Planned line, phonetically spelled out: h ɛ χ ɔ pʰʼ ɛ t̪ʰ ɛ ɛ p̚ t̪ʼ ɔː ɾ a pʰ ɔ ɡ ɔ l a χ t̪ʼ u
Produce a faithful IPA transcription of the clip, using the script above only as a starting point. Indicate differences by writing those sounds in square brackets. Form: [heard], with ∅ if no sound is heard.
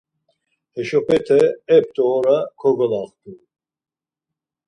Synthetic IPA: h ɛ [ʃ] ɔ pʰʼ ɛ t̪ʰ ɛ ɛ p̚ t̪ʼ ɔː ɾ a [kʰ] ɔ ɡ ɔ l a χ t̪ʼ u

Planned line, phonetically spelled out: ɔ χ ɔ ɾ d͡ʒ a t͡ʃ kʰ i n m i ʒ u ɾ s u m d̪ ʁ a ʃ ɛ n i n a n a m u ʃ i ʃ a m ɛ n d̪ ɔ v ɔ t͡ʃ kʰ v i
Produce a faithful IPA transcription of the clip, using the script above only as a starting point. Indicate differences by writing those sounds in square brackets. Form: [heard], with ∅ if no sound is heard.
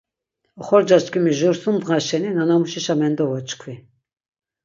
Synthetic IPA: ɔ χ ɔ ɾ d͡ʒ a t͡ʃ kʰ i [∅] m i ʒ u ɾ s u m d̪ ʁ a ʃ ɛ n i n a n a m u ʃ i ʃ a m ɛ n d̪ ɔ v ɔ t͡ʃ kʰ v i

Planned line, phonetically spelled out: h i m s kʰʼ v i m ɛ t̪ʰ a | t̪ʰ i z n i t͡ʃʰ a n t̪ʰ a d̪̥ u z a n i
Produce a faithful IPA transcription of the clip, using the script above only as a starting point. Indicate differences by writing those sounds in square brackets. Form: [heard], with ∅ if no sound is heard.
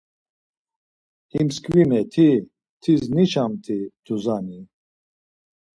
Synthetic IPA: h i m s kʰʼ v i m ɛ t̪ʰ [i] | t̪ʰ i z n i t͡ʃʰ a [m] t̪ʰ [i] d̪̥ u z a n i

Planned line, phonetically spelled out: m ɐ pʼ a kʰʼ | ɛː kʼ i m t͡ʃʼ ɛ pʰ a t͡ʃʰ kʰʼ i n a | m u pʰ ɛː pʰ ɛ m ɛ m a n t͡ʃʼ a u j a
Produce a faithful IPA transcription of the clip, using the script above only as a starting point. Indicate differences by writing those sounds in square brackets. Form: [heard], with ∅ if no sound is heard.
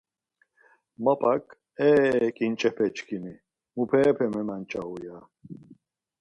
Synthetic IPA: m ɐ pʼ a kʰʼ | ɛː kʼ i [n] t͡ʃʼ ɛ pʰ [ɛ] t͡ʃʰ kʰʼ i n [i] | m u pʰ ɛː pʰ ɛ m ɛ m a n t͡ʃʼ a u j a

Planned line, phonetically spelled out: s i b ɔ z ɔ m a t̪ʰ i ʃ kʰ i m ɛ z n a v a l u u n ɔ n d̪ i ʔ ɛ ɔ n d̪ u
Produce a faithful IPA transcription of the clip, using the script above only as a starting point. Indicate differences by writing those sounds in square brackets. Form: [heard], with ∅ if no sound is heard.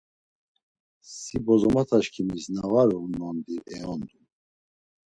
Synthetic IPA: s i b ɔ z ɔ m a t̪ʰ [a] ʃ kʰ i m [i] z n a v a [ɾ] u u n ɔ n d̪ i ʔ ɛ ɔ n d̪ u

